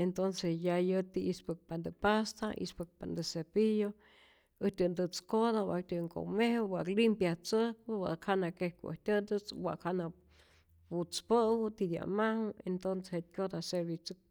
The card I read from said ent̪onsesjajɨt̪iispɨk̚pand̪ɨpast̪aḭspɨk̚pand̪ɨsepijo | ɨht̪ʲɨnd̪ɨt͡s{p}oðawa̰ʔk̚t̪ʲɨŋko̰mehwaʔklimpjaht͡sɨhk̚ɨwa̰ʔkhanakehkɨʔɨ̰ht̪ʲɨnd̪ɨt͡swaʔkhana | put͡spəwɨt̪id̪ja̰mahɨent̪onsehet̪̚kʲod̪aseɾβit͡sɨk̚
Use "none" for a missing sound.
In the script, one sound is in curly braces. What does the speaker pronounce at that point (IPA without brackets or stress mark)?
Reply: k